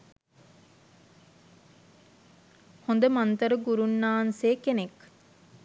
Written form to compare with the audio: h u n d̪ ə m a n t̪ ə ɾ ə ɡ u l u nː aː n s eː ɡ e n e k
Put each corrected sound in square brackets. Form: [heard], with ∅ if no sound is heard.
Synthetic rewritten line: h [o] n d̪ ə m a n t̪ ə ɾ ə ɡ u [ɾ] u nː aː n s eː [k] e n e k

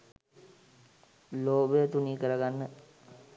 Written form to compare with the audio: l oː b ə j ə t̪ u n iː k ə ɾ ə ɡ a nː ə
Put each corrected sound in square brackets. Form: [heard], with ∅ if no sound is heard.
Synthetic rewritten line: l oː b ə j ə t̪ u n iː k ə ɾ ə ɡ a nː ə

